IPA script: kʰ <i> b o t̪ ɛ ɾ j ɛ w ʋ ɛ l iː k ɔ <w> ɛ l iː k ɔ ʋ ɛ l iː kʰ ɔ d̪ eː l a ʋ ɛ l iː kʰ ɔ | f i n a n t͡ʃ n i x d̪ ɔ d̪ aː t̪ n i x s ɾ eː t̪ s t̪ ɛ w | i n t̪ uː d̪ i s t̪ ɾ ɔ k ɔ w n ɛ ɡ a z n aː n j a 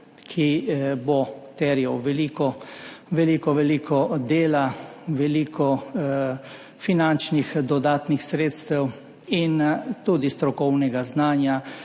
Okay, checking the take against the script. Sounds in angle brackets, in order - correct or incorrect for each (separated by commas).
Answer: correct, incorrect